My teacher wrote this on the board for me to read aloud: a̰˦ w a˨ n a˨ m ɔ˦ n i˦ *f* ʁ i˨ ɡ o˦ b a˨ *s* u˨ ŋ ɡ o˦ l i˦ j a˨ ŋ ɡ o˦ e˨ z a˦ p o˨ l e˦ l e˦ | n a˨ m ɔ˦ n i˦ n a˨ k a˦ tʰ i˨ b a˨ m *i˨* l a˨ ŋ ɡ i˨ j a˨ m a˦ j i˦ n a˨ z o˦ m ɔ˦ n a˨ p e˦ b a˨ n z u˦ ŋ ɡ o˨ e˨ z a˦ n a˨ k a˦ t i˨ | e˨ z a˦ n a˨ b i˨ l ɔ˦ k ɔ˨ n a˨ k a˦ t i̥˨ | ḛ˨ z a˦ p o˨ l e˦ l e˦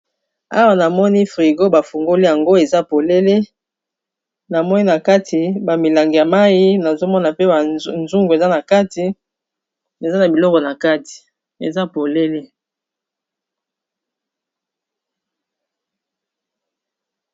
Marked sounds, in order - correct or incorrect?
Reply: correct, incorrect, correct

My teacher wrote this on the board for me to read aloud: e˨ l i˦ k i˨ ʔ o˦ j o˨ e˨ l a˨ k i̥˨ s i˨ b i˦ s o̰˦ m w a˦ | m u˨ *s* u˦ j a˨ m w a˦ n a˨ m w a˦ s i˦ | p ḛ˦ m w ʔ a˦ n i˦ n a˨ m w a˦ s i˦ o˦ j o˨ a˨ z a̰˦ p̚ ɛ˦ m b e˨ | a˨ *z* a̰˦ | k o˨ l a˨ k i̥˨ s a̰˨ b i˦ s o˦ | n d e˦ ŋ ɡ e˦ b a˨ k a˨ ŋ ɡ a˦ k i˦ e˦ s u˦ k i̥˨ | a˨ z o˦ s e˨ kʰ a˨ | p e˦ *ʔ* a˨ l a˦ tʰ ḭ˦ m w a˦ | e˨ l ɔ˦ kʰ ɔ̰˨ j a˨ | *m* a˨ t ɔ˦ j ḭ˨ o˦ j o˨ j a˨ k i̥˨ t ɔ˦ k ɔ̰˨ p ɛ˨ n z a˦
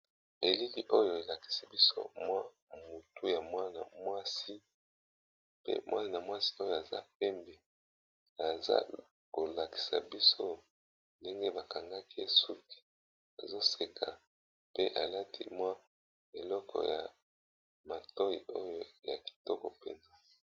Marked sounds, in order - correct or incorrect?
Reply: incorrect, correct, correct, correct

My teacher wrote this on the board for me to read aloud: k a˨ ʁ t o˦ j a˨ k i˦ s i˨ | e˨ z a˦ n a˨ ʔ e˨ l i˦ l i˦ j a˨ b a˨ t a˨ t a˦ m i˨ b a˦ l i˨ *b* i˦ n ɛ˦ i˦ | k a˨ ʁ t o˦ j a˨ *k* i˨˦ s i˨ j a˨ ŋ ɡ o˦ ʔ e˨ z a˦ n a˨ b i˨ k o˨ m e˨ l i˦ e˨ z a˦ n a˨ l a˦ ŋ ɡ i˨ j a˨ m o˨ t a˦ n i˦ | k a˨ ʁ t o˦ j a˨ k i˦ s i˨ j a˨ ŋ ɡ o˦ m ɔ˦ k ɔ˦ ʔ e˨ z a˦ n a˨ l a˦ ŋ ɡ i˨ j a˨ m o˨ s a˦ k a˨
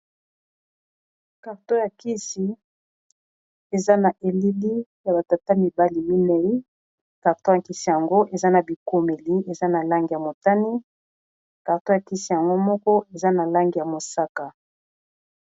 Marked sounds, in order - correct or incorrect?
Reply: incorrect, correct

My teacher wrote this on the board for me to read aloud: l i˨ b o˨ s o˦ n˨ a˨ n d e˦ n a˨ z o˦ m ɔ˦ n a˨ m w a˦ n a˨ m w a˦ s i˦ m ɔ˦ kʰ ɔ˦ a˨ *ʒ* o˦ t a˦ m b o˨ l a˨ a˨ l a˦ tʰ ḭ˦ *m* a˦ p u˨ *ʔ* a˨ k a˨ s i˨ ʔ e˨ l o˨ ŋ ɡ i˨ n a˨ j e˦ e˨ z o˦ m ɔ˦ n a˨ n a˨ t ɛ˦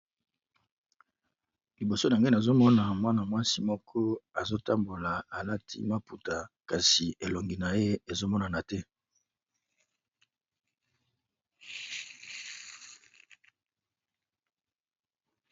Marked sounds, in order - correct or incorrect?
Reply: incorrect, correct, incorrect

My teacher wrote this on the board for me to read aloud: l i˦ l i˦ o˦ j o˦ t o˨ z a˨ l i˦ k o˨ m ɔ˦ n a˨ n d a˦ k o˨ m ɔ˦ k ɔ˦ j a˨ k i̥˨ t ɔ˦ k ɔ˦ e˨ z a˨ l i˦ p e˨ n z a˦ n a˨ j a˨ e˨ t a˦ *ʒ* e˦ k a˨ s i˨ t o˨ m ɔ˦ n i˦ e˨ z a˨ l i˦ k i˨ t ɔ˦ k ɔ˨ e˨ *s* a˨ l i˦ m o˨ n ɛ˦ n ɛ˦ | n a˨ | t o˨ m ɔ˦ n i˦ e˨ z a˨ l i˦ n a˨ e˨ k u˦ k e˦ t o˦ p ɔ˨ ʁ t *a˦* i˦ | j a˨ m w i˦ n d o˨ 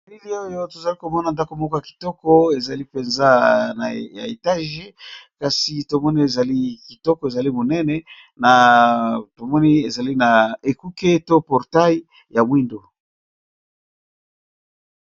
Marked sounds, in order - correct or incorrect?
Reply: correct, incorrect, correct

